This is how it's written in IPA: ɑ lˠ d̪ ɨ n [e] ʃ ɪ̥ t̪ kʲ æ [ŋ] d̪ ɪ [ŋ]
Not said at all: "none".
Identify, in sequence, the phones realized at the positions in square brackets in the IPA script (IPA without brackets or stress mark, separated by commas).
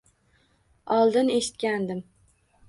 e, n, m